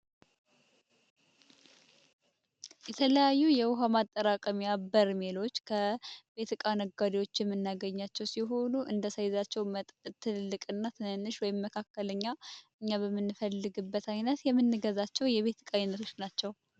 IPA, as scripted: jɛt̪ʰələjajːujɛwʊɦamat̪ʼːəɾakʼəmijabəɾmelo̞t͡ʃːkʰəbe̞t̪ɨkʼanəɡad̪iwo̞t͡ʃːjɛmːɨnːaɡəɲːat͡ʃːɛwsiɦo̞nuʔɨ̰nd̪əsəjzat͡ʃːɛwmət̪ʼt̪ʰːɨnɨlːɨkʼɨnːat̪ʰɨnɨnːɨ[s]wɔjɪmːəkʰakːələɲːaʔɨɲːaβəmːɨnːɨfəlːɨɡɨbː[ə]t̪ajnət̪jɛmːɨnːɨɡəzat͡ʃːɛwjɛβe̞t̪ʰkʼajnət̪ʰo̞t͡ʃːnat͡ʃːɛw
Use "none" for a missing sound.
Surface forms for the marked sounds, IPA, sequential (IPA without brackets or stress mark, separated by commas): ʃ, ə